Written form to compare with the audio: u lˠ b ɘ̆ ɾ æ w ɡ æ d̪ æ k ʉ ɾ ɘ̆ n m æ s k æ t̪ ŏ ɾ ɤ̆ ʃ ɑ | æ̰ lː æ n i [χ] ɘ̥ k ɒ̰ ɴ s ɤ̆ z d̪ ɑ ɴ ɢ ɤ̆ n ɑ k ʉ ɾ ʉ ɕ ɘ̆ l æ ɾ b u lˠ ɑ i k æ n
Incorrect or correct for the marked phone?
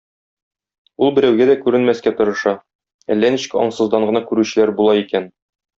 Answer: incorrect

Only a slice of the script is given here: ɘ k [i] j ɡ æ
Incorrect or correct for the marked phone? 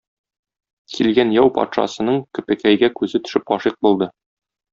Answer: incorrect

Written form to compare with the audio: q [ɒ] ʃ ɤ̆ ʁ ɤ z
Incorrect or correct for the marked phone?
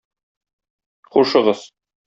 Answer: incorrect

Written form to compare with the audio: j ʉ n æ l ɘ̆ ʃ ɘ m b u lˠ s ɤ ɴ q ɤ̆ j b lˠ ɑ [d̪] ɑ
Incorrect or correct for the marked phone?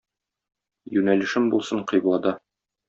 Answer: correct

